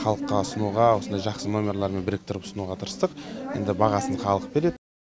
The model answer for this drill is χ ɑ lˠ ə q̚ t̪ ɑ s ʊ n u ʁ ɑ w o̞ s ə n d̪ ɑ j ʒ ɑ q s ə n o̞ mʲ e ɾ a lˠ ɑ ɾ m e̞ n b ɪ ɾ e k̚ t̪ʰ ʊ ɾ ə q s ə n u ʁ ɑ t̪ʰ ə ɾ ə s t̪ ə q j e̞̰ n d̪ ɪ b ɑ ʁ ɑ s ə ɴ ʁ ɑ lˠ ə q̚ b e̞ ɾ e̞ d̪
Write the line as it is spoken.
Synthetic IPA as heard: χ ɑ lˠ ə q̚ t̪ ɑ s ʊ n u ʁ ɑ w o̞ s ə n d̪ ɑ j ʒ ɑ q s ə n o̞ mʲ e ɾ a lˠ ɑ ɾ m e̞ n b ɪ ɾ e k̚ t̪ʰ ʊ ɾ ə p s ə n u ʁ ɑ t̪ʰ ə ɾ ə s t̪ ə q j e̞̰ n d̪ ɪ b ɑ ʁ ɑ s ə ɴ χ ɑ lˠ ə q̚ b e̞ ɾ e̞ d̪